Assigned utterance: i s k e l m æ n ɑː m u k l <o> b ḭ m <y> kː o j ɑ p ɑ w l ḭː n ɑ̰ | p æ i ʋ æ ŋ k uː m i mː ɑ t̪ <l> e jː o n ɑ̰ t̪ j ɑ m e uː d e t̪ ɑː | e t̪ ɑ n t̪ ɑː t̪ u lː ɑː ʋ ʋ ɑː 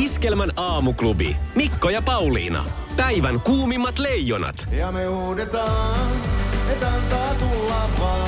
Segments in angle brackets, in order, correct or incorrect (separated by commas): incorrect, incorrect, correct